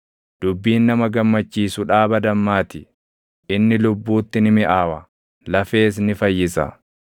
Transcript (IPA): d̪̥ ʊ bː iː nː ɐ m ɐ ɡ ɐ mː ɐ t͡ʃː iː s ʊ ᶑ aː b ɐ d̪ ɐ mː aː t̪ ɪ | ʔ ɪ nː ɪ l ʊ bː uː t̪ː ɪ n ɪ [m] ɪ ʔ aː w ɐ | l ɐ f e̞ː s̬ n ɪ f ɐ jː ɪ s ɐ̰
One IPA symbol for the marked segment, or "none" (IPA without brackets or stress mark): m